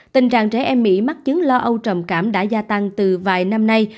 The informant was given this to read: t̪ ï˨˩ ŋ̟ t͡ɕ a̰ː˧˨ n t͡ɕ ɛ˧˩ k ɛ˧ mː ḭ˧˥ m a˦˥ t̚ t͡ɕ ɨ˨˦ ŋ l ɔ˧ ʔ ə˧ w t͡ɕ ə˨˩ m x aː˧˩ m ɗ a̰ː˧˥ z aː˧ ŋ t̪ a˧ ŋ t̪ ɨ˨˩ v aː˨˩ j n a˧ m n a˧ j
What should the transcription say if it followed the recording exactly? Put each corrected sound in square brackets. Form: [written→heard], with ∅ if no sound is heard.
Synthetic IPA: t̪ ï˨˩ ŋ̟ t͡ɕ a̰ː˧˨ [n→ŋ] t͡ɕ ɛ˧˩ [k→ʔ] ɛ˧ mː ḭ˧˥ m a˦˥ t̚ t͡ɕ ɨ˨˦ ŋ l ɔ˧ ʔ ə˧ w t͡ɕ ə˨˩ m [x→k] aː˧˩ m ɗ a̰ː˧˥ z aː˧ [ŋ→∅] t̪ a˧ ŋ t̪ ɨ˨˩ v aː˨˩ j n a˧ m n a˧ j

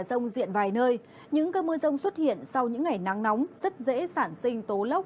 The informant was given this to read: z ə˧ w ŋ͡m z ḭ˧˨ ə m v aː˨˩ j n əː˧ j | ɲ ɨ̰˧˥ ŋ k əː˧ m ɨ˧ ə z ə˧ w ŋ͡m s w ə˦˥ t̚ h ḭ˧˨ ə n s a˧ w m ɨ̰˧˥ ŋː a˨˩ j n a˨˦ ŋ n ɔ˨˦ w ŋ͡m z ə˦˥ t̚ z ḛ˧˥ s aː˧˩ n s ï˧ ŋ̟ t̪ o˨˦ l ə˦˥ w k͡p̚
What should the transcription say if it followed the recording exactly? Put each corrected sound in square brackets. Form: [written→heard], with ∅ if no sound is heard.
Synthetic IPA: z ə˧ w ŋ͡m z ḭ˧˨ ə [m→n] v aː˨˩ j n əː˧ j | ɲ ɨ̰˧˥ ŋ k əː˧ m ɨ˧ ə z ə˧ w ŋ͡m s w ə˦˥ t̚ h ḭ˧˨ ə n s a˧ w [m→ɲ] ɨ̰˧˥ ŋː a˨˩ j n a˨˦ ŋ n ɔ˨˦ w ŋ͡m z ə˦˥ t̚ z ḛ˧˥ s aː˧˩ n s ï˧ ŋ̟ t̪ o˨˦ l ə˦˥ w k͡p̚

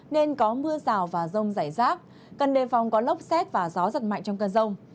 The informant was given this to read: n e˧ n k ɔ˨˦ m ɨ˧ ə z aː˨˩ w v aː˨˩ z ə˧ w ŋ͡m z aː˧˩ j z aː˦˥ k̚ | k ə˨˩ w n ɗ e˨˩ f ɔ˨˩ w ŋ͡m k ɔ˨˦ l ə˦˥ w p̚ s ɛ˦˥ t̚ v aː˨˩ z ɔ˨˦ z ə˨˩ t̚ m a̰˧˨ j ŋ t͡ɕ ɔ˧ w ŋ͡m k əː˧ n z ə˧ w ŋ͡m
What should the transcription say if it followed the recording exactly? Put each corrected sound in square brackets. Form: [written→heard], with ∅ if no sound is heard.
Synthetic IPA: n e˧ n k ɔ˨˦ m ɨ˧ ə z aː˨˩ w v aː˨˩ z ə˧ w ŋ͡m z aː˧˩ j z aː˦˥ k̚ | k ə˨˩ [w→∅] n ɗ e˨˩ f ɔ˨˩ w ŋ͡m k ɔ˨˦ l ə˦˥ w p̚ s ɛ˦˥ t̚ v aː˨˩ z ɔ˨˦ z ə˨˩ t̚ m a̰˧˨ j ŋ t͡ɕ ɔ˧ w ŋ͡m k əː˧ n z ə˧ w ŋ͡m

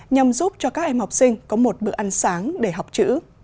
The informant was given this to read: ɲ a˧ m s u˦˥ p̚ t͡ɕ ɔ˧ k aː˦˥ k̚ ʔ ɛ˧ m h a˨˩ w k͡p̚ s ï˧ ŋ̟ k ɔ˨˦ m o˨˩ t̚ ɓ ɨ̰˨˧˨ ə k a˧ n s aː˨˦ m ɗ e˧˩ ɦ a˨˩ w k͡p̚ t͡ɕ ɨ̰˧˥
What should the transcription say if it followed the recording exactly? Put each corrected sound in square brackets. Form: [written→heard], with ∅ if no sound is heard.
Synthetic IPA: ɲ a˧ m [s→z] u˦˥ p̚ t͡ɕ ɔ˧ k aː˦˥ k̚ ʔ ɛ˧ m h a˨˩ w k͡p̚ s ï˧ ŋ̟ k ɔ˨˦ m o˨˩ t̚ ɓ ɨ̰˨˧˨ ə [k→ʔ] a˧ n s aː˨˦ [m→ŋ] ɗ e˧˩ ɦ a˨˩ w k͡p̚ t͡ɕ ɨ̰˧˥

